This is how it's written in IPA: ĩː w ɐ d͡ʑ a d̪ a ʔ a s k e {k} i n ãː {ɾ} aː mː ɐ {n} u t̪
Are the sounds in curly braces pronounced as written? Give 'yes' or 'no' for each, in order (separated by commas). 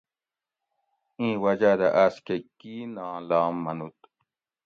yes, no, yes